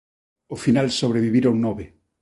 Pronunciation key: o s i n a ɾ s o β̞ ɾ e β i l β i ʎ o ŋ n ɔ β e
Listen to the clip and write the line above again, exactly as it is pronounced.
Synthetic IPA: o f i n a l s o β̞ ɾ e β i β i ɾ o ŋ n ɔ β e